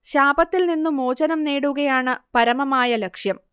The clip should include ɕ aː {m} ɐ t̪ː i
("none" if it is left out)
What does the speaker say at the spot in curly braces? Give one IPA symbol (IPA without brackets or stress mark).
b